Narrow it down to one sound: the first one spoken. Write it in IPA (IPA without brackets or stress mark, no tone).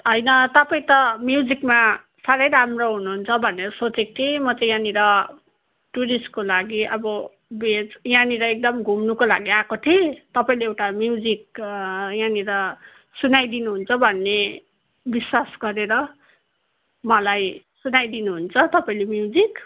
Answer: ɦ